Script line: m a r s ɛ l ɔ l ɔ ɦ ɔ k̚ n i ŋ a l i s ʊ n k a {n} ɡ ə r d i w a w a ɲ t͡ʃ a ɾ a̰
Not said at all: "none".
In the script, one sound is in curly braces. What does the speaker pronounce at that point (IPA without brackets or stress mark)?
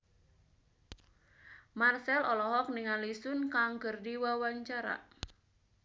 ŋ